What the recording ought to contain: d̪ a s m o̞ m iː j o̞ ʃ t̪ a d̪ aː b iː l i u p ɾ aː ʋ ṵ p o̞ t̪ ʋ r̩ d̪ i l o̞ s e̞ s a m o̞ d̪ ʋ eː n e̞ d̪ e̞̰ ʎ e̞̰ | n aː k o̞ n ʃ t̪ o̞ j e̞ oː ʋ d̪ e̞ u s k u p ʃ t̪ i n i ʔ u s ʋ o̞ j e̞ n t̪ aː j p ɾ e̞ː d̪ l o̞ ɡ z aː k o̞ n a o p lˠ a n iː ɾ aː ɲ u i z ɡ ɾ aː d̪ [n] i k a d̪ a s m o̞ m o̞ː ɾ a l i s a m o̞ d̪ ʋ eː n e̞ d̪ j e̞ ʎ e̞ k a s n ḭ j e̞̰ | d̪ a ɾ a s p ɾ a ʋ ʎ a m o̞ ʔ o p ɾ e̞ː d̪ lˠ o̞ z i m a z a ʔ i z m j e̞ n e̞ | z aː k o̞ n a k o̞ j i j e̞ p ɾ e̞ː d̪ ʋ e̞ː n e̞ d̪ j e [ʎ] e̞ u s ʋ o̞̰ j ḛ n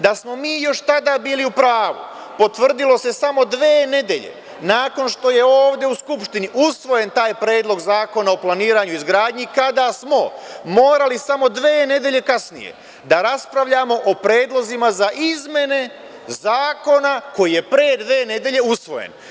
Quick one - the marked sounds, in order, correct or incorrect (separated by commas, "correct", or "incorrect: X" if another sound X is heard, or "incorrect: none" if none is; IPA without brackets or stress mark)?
incorrect: ɲ, correct